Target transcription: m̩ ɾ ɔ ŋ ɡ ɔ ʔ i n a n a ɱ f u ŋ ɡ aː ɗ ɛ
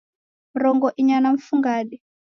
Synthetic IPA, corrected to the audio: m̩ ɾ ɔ ŋ ɡ ɔ ʔ i ɲ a n a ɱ f u ŋ ɡ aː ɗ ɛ